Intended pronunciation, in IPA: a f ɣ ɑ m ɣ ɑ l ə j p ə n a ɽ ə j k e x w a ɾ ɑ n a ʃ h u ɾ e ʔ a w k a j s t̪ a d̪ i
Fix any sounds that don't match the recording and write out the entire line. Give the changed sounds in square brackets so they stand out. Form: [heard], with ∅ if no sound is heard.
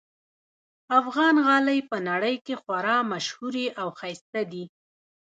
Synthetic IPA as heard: a f ɣ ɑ [n] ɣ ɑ l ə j p ə n a ɽ ə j k e x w a ɾ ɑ [m] a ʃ h u ɾ e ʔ a w [x] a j s t̪ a d̪ i

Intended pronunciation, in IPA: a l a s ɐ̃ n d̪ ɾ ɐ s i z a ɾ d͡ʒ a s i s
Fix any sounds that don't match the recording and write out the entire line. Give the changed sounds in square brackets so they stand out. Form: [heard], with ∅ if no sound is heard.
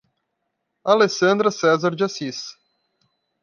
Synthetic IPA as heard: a l [e] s ɐ̃ n d̪ ɾ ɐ s [ɛ] z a ɾ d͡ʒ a s i s

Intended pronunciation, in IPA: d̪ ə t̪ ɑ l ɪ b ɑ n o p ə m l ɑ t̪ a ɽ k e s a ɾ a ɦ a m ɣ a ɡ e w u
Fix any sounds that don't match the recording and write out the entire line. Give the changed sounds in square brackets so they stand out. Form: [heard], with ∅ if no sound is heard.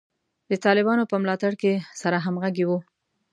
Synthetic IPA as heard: d̪ ə t̪ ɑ l ɪ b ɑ n o p ə m l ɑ t̪ a ɽ k e s a ɾ a ɦ a m ɣ a ɡ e w u

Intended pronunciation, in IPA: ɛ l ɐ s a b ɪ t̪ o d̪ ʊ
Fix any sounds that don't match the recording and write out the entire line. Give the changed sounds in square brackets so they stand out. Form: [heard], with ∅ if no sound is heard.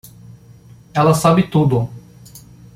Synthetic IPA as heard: ɛ l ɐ s a b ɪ t̪ [u] d̪ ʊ

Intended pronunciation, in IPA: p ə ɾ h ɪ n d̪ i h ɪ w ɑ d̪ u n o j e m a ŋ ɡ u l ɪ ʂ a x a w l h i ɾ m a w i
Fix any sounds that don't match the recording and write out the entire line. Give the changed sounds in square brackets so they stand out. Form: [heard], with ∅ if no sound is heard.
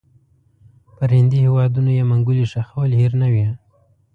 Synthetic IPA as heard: p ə ɾ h ɪ n d̪ i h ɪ w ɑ d̪ u n o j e m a ŋ ɡ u l [i] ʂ a x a w l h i ɾ [n] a w i

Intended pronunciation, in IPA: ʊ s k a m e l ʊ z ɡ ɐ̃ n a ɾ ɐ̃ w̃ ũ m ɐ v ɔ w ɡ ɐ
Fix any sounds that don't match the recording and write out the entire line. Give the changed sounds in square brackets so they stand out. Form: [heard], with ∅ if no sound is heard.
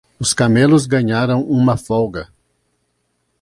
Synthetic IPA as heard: ʊ s k a m e l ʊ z ɡ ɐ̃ [ɲ] a ɾ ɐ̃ w̃ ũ m ɐ [f] ɔ w ɡ ɐ

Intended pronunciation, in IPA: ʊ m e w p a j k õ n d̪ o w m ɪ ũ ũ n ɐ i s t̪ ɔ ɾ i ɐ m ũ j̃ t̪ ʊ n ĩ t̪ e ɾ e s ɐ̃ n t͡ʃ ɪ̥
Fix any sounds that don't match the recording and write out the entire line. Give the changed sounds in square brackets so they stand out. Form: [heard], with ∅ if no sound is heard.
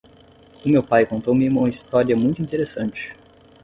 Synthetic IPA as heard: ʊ m e w p a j k õ n [t̪] o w m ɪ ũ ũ [m] ɐ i s t̪ ɔ ɾ i ɐ m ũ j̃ t̪ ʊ [∅] ĩ t̪ e ɾ e s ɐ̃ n t͡ʃ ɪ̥

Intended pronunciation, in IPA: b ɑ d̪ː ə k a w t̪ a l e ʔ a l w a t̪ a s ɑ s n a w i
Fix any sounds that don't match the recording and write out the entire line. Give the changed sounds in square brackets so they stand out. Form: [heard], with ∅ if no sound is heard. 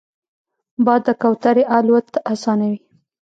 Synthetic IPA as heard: b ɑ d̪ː ə k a w t̪ a [ɾ] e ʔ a l w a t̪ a s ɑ [∅] n a w i

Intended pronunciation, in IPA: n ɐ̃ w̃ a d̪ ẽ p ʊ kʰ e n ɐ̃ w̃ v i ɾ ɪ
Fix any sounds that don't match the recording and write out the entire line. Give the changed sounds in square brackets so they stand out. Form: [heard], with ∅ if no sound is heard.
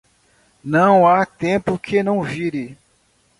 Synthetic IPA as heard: n ɐ̃ w̃ a [t̪] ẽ p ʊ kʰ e n ɐ̃ w̃ v i ɾ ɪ

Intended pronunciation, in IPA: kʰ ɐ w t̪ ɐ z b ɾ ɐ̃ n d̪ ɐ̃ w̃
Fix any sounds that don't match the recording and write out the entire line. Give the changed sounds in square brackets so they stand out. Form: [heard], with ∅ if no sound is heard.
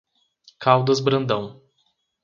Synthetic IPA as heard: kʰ [a] w [d̪] ɐ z b ɾ ɐ̃ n d̪ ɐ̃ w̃

